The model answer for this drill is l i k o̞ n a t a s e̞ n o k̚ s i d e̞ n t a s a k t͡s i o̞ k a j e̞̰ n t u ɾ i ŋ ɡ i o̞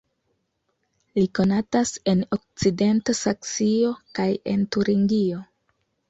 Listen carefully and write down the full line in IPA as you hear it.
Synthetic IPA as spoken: l i k o̞ n a t a s e̞ n o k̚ t͡s i d e̞ n t a s a k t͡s i o̞ k a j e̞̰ n t u ɾ i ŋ ɡ i o̞